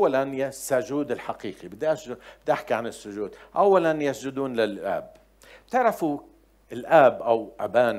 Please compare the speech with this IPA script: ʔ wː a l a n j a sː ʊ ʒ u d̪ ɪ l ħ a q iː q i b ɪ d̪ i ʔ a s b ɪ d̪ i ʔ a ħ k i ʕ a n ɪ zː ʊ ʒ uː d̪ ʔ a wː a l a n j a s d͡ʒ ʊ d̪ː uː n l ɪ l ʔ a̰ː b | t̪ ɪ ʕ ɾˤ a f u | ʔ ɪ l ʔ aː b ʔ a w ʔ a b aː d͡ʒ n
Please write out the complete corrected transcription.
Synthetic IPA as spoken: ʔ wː a l a n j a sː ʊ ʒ uː d̪ ɪ l ħ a q iː q i b ɪ d̪ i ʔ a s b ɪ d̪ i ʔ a ħ k i ʕ a n ɪ sː ʊ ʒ uː d̪ ʔ a wː a l a n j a s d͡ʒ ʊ d̪ uː n l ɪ l ʔ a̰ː b | t̪ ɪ ʕ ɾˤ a f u | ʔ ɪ l ʔ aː b ʔ a w ʔ a b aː n